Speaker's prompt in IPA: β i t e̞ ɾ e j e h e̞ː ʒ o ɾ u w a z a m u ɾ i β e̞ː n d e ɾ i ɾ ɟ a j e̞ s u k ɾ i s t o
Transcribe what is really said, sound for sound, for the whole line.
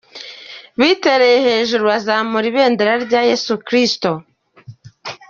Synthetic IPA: β i t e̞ ɾ e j e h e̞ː ʒ u ɾ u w a z a m u ɾ i β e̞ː n d e ɾ a ɾ ɟ a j e̞ s u k ɾ i s t o